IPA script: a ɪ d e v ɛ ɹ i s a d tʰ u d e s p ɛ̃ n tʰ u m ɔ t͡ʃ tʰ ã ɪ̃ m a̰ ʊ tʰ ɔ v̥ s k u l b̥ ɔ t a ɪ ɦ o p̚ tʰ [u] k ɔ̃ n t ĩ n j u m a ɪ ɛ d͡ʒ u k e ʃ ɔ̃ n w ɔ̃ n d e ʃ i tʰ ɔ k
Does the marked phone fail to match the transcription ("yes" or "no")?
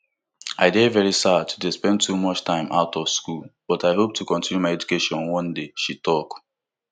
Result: no